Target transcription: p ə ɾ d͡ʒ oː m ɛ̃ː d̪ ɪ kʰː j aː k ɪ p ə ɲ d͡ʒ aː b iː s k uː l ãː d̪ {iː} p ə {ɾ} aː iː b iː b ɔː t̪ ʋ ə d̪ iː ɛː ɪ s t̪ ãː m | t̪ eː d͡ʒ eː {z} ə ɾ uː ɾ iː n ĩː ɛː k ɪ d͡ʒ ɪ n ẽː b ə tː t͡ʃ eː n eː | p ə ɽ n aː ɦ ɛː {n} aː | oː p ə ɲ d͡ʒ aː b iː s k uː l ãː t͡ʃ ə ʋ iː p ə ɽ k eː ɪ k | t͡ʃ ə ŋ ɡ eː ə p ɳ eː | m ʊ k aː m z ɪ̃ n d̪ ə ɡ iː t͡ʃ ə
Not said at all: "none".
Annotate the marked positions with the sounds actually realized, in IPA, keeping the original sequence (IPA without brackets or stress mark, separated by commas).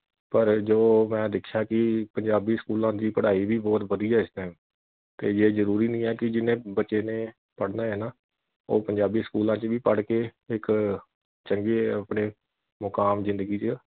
iː, ɽ, z, n